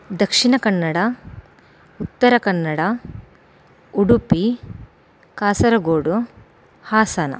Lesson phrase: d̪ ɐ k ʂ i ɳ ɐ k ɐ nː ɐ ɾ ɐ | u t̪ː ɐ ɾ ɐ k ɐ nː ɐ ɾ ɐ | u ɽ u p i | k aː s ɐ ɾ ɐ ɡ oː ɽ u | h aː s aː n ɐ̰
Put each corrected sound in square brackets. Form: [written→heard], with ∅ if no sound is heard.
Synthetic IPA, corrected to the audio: d̪ ɐ k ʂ i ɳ ɐ k ɐ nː ɐ [ɾ→ɽ] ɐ | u t̪ː ɐ ɾ ɐ k ɐ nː ɐ [ɾ→ɽ] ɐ | u ɽ u p i | k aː s ɐ ɾ ɐ ɡ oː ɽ u | h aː s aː n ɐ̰